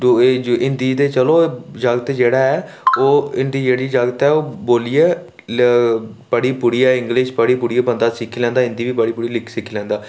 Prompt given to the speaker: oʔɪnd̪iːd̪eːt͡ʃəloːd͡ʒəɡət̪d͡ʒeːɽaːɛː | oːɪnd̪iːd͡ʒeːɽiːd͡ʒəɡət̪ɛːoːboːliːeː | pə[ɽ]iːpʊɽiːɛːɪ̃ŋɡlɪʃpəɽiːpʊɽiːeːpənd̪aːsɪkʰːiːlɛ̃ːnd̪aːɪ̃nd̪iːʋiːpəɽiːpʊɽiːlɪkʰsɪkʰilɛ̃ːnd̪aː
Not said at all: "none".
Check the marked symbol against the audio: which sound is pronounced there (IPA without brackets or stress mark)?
ɽ